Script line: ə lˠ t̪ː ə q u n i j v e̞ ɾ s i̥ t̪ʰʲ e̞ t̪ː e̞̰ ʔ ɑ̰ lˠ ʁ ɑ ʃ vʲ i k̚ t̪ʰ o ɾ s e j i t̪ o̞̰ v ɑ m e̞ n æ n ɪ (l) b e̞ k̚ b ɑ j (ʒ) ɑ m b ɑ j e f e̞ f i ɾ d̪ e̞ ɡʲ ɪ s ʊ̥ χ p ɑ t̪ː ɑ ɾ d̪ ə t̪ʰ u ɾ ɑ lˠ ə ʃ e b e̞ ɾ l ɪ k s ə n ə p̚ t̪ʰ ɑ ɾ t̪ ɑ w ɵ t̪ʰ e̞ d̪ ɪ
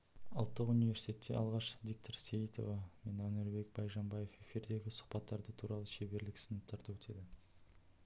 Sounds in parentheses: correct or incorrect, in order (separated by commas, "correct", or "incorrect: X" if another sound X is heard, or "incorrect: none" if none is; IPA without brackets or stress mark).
incorrect: ɾ, correct